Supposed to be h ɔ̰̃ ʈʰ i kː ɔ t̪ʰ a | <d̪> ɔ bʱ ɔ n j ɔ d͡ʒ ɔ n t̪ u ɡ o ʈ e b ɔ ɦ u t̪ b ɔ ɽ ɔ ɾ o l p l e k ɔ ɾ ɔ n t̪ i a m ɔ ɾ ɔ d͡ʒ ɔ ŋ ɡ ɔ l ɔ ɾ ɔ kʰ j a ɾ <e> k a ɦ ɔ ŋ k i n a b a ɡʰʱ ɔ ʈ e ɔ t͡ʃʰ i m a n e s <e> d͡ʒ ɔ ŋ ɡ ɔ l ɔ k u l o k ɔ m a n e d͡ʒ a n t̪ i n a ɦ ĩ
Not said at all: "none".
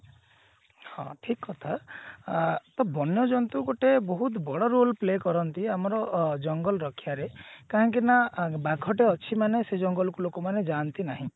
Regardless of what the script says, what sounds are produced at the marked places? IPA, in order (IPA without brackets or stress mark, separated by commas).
t̪, e, e